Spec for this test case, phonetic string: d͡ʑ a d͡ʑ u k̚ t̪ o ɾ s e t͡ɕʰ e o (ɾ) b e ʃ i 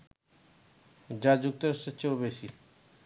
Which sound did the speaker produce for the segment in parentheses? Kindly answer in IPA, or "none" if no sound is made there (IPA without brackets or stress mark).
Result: none